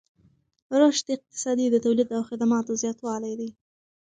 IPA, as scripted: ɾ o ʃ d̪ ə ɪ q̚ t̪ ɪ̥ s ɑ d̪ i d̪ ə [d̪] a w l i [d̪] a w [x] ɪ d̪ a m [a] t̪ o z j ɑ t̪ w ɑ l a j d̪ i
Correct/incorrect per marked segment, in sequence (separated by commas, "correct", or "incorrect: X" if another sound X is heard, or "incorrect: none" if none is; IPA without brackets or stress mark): incorrect: t̪, correct, correct, incorrect: ɑ